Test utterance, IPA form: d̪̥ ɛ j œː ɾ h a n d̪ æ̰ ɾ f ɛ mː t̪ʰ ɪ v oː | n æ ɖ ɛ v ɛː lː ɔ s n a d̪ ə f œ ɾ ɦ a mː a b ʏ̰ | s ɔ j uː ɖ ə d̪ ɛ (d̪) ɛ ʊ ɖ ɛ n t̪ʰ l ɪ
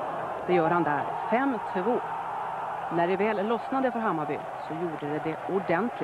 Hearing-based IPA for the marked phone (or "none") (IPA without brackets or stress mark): d̪